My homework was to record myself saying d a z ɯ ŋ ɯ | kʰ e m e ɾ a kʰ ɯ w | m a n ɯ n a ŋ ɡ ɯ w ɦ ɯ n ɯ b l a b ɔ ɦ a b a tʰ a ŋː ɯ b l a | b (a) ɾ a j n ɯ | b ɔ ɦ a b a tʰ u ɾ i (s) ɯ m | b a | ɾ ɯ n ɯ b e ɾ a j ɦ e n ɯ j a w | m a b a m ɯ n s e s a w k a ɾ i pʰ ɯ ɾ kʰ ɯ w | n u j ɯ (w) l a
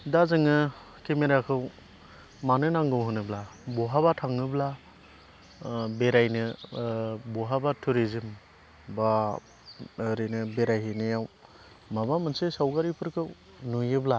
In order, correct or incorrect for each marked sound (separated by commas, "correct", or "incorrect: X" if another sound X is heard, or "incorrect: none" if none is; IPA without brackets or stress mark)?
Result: incorrect: e, incorrect: z, incorrect: b